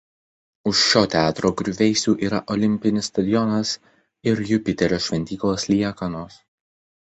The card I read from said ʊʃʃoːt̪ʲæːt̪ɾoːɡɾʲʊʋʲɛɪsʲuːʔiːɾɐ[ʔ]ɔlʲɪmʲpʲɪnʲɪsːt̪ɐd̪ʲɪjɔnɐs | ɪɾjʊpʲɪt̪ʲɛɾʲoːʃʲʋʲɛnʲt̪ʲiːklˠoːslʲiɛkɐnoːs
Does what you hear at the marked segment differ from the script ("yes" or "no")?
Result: no